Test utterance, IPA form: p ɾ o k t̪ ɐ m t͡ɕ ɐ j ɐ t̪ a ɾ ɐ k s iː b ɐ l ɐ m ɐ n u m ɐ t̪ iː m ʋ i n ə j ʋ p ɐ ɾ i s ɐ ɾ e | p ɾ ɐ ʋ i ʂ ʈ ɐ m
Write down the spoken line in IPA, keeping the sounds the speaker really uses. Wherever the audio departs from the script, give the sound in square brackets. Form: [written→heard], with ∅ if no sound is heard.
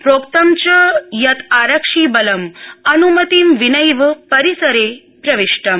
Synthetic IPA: p ɾ o k t̪ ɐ m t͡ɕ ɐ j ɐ t̪ a ɾ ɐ k [s→ʂ] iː b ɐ l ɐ m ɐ n u m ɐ t̪ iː m ʋ i n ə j ʋ p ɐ ɾ i s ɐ ɾ e | p ɾ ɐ ʋ i ʂ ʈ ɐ m